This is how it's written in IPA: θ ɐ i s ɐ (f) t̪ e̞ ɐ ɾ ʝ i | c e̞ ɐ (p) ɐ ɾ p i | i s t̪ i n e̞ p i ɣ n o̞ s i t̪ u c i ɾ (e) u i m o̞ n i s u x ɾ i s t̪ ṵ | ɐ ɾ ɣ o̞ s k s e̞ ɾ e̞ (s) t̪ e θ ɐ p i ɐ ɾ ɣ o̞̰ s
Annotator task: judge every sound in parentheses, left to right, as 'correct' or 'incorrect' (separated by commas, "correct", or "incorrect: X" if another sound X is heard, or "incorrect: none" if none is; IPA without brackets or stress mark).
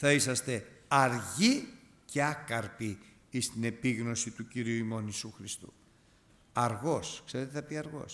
incorrect: s, incorrect: k, incorrect: i, incorrect: none